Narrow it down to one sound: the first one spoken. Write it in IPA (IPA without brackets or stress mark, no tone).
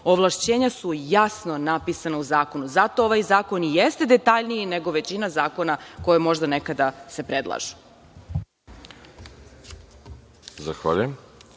o